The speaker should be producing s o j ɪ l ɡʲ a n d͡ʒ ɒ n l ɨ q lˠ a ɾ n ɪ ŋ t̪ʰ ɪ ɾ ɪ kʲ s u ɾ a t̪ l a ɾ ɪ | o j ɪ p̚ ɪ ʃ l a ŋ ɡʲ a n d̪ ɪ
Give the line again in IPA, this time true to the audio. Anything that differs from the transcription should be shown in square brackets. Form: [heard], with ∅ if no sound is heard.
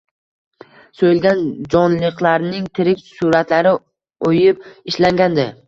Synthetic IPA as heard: s o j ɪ l ɡʲ a n d͡ʒ ɒ n l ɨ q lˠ a ɾ n ɪ ŋ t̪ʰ ɪ ɾ ɪ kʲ s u ɾ a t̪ l a ɾ ɪ | o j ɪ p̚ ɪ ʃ l a ŋ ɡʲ a n d̪ ɪ

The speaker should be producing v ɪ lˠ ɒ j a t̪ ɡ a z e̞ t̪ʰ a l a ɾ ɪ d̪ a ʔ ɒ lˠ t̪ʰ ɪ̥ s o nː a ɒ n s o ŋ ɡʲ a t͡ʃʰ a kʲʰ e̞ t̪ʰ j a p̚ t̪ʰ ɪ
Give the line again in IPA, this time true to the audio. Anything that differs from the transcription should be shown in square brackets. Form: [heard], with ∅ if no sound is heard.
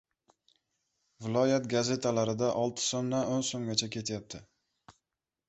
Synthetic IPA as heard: v ɪ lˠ ɒ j a t̪ ɡ a z e̞ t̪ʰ a l a ɾ ɪ d̪ a ʔ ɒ lˠ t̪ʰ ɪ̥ s o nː a [o] n s o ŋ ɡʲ a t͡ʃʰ a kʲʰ e̞ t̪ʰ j a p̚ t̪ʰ ɪ

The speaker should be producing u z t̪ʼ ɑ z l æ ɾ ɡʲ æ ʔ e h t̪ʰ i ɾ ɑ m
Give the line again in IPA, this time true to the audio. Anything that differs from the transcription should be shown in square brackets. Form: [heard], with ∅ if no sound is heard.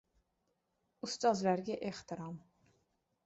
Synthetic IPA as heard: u [s] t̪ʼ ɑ z l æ ɾ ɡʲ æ ʔ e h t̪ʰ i ɾ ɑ m

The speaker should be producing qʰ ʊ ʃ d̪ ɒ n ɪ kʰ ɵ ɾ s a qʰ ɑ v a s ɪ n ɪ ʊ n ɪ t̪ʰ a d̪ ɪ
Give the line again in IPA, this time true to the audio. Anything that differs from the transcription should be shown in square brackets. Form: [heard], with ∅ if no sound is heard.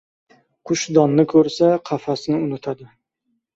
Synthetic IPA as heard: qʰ ʊ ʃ d̪ ɒ [nː] ɪ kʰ ɵ ɾ s a qʰ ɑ [f] a s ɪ n ɪ ʊ n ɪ t̪ʰ a d̪ ɪ

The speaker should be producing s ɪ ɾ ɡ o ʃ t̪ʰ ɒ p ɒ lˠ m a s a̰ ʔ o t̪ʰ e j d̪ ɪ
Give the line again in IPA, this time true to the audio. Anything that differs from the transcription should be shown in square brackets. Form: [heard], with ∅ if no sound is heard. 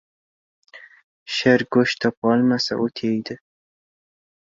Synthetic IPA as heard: [ʃ] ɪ ɾ ɡ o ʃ t̪ʰ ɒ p ɒ lˠ m a s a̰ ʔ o t̪ʰ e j d̪ ɪ

